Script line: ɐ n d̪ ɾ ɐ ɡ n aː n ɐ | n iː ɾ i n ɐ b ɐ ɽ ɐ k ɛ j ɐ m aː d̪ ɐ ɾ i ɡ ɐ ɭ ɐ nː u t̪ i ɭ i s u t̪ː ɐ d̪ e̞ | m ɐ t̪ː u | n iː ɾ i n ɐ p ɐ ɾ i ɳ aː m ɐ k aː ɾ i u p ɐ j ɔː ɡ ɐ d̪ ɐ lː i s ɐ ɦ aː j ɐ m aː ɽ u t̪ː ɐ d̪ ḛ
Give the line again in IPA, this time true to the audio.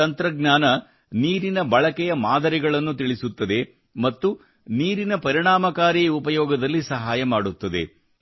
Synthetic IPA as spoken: ɐ n t̪ ɾ ɐ ɡ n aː n ɐ | n iː ɾ i n ɐ b ɐ ɭ ɐ k ɛ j ɐ m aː d̪ ɐ ɾ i ɡ ɐ ɭ ɐ nː u t̪ i ɭ i s u t̪ː ɐ d̪ e̞ | m ɐ t̪ː u | n iː ɾ i n ɐ p ɐ ɾ i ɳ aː m ɐ k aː ɾ i u p ɐ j ɔː ɡ ɐ d̪ ɐ lː i s ɐ ɦ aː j ɐ m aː ɽ u t̪ː ɐ d̪ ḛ